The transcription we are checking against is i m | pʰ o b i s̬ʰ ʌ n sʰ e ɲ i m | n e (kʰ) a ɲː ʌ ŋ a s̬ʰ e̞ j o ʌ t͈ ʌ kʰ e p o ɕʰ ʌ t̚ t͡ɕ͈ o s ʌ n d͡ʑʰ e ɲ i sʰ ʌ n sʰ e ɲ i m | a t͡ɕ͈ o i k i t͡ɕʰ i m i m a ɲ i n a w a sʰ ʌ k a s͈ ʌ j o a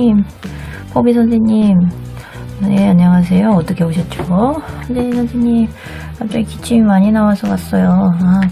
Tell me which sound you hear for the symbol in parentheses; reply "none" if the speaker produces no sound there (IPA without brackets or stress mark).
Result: none